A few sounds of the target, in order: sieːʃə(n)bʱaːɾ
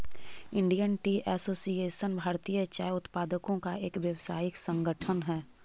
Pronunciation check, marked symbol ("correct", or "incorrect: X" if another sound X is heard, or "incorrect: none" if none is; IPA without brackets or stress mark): correct